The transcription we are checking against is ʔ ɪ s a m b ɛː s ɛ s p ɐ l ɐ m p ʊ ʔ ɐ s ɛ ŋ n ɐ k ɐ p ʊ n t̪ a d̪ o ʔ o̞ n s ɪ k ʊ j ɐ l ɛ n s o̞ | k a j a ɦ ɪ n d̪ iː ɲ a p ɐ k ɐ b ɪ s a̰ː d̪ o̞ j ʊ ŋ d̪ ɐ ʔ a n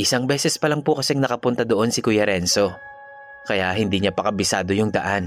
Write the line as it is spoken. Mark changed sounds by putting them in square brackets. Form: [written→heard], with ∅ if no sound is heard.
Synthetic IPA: ʔ ɪ s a [m→ŋ] b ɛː s ɛ s p ɐ l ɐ [m→ŋ] p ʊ [ʔ→k] ɐ s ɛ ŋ n ɐ k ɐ p ʊ n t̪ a d̪ o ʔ o̞ n s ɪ k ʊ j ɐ [l→ɾ] ɛ n s o̞ | k [a→ɐ] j a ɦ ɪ n d̪ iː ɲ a p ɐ k ɐ b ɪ s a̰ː d̪ o̞ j ʊ ŋ d̪ ɐ ʔ a n